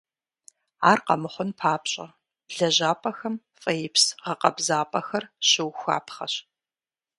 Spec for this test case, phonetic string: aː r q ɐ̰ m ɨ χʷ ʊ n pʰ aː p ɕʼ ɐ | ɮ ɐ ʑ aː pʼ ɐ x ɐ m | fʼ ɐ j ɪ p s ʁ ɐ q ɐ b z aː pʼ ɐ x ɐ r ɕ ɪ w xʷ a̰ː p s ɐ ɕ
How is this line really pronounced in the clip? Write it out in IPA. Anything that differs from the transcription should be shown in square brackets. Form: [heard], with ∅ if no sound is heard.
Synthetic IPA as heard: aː r q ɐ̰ m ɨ χʷ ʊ n pʰ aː p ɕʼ ɐ | ɮ ɐ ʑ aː pʼ ɐ x ɐ m | fʼ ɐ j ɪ p s ʁ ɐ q ɐ b z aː pʼ ɐ x ɐ r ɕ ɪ w xʷ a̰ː p [χ] ɐ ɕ